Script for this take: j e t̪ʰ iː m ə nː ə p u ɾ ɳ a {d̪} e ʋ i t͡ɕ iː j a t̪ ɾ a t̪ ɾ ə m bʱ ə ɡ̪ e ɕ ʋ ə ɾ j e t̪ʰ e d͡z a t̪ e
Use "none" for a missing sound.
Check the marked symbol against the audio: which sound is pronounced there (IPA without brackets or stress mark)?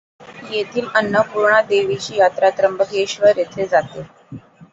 d̪